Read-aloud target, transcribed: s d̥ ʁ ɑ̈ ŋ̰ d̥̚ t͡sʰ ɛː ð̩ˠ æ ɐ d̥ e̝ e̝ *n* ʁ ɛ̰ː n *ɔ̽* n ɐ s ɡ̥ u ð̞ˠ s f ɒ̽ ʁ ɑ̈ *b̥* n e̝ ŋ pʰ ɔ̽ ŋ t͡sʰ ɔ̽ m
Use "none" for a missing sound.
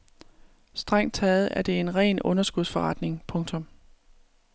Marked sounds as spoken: n, ɔ̽, d̥

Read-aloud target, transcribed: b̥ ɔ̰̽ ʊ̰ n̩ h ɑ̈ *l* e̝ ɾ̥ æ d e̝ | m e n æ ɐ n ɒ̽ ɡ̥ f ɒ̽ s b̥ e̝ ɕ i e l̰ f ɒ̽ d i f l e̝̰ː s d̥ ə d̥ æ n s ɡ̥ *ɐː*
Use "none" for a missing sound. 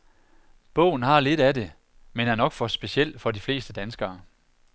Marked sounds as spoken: l, ɐː

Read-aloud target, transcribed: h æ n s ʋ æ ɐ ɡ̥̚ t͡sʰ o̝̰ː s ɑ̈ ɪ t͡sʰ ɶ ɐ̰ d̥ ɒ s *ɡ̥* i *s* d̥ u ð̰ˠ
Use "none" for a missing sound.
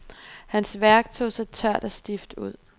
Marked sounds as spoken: d̥, f

